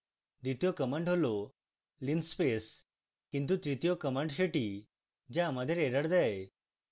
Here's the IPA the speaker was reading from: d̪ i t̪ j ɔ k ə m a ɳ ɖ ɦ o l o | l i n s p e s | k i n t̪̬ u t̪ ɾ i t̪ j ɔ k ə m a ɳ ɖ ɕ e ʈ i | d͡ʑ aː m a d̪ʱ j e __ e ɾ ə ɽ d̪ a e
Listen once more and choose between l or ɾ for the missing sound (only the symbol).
ɾ